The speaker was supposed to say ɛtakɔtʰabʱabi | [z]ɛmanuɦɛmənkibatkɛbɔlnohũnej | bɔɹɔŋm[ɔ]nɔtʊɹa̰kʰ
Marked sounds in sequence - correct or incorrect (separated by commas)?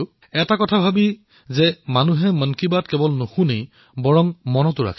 correct, correct